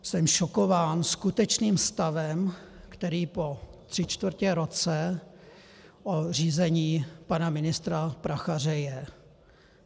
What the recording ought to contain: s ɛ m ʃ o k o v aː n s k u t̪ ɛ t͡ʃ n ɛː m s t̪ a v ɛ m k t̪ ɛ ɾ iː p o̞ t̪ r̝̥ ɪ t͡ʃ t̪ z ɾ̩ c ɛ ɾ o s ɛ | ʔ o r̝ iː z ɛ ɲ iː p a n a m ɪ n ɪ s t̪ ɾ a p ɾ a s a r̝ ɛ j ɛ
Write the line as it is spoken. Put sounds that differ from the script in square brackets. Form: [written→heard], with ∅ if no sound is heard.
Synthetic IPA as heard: s ɛ m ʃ o k o v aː n s k u t̪ ɛ t͡ʃ n [ɛː→iː] m s t̪ a v ɛ m k t̪ ɛ ɾ iː p o̞ t̪ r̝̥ ɪ t͡ʃ t̪ [z→v] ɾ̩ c ɛ ɾ o [s→t͡s] ɛ | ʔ o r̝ iː z ɛ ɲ iː p a n a m ɪ n ɪ s t̪ ɾ a p ɾ a [s→x] a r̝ ɛ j ɛ